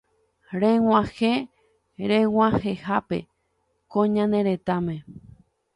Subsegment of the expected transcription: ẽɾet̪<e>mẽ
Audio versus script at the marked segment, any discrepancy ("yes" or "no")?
yes